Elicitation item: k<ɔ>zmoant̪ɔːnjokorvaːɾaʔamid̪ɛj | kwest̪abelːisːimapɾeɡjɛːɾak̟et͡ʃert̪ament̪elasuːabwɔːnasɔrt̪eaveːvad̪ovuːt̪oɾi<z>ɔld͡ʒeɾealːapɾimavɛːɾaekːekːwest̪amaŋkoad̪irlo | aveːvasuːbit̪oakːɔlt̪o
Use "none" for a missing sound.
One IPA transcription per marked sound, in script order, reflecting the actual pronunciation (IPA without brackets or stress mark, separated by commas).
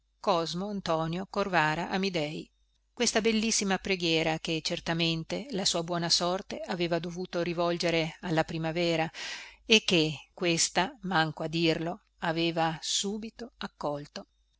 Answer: ɔ, v